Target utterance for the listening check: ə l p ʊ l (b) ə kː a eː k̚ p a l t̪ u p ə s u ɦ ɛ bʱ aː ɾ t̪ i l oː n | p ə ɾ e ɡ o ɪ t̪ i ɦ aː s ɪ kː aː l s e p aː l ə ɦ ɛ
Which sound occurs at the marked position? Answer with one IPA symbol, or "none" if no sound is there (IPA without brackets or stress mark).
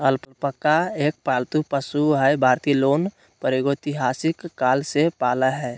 p